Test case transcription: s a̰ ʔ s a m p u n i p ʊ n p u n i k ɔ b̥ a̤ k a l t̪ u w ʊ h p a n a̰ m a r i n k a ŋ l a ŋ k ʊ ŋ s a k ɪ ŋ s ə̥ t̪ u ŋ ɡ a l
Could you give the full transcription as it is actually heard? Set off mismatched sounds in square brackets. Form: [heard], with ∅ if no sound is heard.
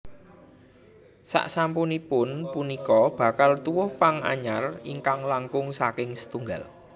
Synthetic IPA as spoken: s a̰ ʔ s a m p u n i p ʊ n p u n i k ɔ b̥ a̤ k a l t̪ u w ʊ h p a [ŋ] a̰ [ɲ] a r i [ŋ] k a ŋ l a ŋ k ʊ ŋ s a k ɪ ŋ s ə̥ t̪ u ŋ ɡ a l